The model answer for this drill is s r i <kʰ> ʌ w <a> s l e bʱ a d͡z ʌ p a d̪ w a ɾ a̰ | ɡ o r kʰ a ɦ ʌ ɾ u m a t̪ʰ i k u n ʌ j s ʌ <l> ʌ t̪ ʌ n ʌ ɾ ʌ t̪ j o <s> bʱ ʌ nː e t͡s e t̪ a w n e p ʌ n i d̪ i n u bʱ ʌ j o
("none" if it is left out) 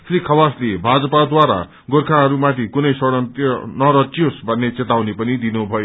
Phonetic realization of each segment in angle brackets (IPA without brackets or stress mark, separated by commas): kʰ, a, ɽ, s